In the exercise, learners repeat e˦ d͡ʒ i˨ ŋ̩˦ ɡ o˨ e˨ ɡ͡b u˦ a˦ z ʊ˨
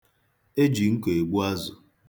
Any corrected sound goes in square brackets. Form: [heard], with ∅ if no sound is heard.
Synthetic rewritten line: e˦ d͡ʒ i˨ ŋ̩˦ [k] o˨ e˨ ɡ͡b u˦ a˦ z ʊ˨

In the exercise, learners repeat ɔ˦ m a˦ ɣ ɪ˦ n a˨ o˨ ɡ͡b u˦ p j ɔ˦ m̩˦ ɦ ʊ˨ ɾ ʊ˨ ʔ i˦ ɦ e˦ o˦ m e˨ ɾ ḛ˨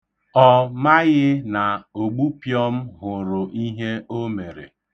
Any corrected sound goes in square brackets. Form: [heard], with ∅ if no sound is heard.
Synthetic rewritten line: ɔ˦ m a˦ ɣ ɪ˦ n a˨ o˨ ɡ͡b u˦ p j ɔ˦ m̩˦ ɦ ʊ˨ ɾ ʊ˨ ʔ i˦ ɦ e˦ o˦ m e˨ ɾ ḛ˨

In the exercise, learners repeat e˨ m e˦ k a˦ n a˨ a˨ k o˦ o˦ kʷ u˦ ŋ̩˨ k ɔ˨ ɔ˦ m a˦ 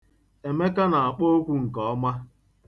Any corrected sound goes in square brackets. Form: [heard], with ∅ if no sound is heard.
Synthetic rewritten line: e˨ m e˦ k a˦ n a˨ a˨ [k͡p] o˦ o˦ kʷ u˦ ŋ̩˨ k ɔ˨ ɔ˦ m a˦

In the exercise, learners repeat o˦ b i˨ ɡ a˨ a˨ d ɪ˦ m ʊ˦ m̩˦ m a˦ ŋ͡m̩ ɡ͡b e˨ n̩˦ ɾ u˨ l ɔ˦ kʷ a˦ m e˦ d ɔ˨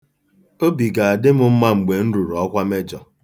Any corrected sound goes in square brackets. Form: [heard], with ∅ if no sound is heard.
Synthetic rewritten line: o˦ b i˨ ɡ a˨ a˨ d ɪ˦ m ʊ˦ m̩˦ m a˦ ŋ͡m̩ ɡ͡b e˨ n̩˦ ɾ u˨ [ɾ] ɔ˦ kʷ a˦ m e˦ [d͡ʒ] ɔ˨

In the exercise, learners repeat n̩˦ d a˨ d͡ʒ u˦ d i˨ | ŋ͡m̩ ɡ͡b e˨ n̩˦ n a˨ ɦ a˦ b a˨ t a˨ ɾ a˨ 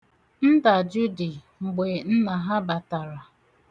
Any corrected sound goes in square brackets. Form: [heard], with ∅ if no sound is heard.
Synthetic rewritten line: n̩˦ d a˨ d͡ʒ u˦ d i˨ | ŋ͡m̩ ɡ͡b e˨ n̩˦ n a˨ ɦ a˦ b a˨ t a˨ ɾ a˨

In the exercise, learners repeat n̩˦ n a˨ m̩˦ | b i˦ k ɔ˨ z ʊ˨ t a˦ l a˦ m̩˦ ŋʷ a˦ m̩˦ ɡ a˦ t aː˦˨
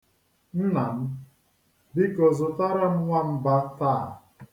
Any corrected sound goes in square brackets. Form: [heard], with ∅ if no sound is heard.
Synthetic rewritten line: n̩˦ n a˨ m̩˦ | b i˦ k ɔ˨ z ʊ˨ t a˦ [ɾ] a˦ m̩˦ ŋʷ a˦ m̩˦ [b] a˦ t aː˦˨

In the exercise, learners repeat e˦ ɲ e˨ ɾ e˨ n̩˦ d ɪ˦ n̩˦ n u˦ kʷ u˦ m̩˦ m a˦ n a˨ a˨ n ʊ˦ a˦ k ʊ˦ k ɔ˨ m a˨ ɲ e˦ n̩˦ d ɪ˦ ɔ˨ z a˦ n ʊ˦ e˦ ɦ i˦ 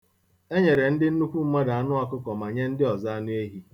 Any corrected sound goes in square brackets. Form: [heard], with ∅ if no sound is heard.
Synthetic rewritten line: e˦ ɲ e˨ ɾ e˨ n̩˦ d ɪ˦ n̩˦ n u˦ kʷ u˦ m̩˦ m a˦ [d] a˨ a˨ n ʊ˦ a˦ k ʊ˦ k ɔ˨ m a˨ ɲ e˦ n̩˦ d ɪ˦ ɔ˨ z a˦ n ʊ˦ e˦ ɦ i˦

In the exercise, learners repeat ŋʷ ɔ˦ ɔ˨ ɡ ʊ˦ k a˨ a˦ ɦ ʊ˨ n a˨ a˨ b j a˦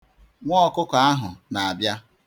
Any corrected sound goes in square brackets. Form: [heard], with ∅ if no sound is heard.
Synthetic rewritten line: ŋʷ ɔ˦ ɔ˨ [k] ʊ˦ k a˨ a˦ ɦ ʊ˨ n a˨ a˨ b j a˦

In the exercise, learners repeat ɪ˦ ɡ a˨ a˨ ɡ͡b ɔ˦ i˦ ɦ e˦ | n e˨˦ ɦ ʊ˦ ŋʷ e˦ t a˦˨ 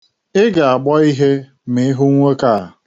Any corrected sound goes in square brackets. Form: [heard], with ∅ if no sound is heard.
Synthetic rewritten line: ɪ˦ ɡ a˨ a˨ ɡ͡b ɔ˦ i˦ ɦ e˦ | [m] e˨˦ ɦ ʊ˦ ŋʷ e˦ [k] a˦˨

